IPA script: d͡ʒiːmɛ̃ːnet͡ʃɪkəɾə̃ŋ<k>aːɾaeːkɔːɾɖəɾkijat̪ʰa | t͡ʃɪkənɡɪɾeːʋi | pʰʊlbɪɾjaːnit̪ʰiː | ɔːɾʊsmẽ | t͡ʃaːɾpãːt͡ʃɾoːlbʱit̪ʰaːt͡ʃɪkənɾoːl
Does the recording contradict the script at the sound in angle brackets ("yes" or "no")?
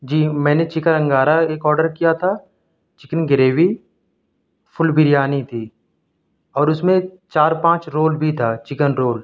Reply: yes